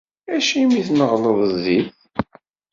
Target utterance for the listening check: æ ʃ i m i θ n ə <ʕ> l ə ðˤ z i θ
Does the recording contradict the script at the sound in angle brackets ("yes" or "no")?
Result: yes